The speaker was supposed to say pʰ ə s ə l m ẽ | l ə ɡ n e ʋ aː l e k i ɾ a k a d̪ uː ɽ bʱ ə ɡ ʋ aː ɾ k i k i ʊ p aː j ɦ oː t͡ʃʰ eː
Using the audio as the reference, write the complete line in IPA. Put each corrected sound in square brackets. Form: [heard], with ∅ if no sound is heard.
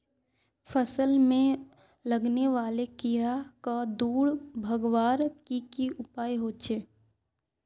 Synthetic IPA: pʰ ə s ə l m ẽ | l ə ɡ n e ʋ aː l e k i ɾ a k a d̪ uː ɽ bʱ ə ɡ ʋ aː ɾ k i k i ʊ p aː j ɦ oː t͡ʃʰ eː